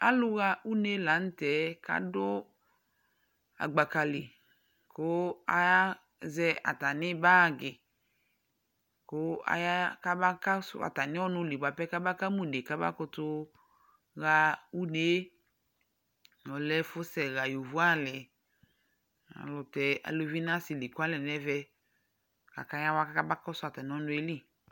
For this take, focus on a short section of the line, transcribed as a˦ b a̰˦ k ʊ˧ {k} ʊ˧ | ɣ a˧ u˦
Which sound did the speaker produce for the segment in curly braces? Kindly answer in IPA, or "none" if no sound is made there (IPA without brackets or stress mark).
t